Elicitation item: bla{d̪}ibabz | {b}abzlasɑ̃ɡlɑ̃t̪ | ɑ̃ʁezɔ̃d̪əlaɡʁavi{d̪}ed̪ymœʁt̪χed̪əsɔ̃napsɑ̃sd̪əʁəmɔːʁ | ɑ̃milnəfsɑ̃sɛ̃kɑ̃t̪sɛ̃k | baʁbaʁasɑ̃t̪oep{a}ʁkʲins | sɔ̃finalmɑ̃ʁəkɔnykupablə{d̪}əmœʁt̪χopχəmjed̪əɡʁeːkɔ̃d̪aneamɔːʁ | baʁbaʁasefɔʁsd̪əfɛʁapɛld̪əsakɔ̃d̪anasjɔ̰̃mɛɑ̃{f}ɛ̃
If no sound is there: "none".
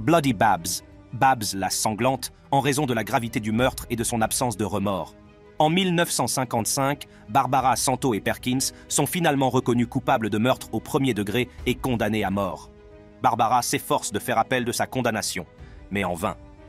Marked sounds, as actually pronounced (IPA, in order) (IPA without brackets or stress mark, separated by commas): d̪, b, t̪, ɛ, d̪, v